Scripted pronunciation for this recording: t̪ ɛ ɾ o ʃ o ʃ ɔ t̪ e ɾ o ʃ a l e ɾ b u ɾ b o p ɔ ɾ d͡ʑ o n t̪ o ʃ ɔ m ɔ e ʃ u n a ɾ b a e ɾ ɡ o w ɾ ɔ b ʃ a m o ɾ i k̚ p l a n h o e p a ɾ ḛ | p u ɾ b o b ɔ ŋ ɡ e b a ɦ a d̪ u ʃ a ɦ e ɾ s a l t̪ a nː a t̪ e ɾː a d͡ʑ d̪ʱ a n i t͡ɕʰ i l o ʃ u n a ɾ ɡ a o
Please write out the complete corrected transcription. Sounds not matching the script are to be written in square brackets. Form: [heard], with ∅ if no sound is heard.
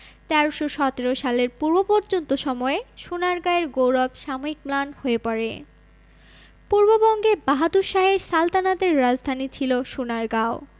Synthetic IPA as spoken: t̪ ɛ ɾ o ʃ o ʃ ɔ t̪ e ɾ o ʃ a l e ɾ [p] u ɾ b o p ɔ ɾ d͡ʑ o n t̪ o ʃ ɔ m ɔ e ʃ u n a ɾ [ɡ] a e ɾ ɡ o w ɾ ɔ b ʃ a m o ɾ i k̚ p l a n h o e p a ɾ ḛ | p u ɾ b o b ɔ ŋ ɡ e b a ɦ a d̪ u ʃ a ɦ e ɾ s a l t̪ a [n] a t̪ e ɾː a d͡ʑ d̪ʱ a n i t͡ɕʰ i l o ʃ u n a ɾ ɡ a o

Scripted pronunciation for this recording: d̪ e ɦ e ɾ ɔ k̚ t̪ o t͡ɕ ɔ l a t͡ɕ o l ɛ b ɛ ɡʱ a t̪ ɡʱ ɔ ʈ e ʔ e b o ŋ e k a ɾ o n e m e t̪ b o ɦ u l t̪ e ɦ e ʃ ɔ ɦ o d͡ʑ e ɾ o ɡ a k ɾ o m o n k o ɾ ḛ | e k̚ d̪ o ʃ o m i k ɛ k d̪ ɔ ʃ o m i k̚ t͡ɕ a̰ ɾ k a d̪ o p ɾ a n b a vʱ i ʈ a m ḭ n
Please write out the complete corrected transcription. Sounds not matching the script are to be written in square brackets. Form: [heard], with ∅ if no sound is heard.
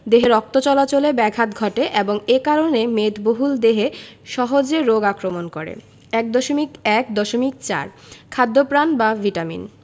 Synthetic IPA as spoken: d̪ e ɦ e ɾ ɔ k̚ t̪ o t͡ɕ ɔ l a t͡ɕ o l [e] b ɛ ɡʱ a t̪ ɡʱ ɔ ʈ e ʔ e b o ŋ e k a ɾ o n e m e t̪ b o ɦ u l [d̪] e ɦ e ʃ ɔ ɦ o d͡ʑ e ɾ o ɡ a k ɾ o m o n k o ɾ ḛ | [ɛ] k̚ d̪ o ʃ o m i k ɛ k d̪ ɔ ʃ o m i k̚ t͡ɕ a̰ ɾ [kʰ] a [d̪ː] o p ɾ a n b a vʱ i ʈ a m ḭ n

